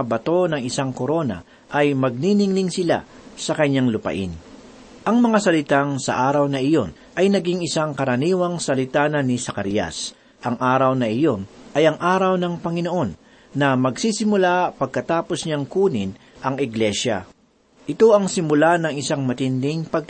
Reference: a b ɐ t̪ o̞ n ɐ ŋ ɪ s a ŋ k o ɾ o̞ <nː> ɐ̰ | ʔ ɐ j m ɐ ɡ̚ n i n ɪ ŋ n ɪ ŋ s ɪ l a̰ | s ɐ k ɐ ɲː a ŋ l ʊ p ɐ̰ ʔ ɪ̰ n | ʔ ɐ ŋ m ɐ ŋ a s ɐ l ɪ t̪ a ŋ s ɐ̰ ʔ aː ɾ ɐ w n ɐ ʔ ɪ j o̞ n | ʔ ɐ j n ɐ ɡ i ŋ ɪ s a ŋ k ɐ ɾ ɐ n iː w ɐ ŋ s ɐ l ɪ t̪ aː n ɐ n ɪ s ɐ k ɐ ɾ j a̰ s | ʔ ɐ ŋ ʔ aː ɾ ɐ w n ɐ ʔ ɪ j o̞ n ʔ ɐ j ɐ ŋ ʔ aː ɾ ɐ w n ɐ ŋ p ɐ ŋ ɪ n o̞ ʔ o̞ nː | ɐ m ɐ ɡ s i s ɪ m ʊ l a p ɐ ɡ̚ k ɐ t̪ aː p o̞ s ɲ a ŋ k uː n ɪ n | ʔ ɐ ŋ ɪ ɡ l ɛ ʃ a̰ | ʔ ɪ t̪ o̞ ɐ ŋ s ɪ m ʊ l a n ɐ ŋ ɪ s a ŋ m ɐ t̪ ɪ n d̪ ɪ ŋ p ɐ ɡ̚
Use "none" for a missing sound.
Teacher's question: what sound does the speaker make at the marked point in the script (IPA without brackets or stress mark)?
n